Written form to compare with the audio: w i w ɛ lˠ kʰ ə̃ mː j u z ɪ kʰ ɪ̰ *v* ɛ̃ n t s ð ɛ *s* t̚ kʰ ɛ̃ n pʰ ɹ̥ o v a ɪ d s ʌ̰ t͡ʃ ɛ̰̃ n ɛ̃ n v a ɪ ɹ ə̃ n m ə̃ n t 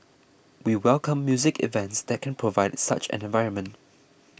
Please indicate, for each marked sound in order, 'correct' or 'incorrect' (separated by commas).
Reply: correct, incorrect